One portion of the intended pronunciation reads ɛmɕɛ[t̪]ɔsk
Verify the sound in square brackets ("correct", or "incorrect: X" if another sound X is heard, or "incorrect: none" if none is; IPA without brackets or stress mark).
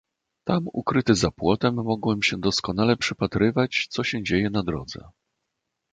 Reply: incorrect: d̪